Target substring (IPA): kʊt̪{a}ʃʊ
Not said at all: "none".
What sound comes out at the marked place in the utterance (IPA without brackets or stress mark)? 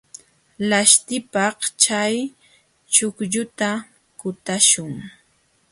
a